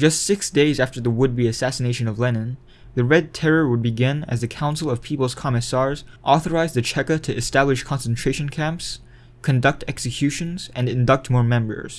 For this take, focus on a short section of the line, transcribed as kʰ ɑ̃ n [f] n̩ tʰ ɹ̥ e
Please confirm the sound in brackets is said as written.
no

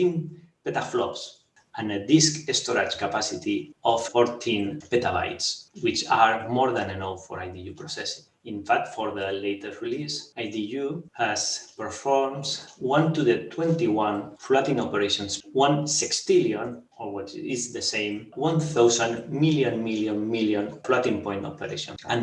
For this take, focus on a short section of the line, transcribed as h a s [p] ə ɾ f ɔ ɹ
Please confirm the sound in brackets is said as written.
yes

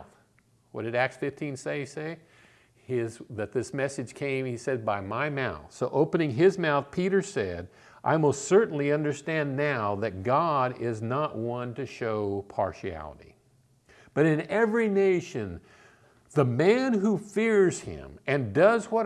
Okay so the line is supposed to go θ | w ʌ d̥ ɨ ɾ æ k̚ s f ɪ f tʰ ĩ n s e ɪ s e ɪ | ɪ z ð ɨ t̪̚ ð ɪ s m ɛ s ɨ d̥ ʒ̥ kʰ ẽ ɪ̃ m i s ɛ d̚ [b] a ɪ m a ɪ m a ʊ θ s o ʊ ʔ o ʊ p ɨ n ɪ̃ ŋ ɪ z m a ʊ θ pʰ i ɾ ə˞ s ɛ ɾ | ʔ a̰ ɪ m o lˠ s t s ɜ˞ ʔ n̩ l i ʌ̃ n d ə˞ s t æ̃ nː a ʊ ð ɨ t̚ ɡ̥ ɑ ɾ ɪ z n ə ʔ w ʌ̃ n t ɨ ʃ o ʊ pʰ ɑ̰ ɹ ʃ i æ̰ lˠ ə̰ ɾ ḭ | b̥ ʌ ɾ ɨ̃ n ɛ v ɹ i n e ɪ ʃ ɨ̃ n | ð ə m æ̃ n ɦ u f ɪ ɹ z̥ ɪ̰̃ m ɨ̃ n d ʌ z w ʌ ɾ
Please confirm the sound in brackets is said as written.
yes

